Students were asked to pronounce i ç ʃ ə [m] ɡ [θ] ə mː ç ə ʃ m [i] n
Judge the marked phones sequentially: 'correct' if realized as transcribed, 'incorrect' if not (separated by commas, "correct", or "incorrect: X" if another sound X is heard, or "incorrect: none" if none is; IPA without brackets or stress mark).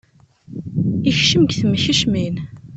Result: correct, correct, correct